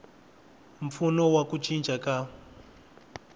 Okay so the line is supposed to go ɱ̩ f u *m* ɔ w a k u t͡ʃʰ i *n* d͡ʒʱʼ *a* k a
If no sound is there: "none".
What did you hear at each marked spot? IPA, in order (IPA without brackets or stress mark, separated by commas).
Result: n, n, a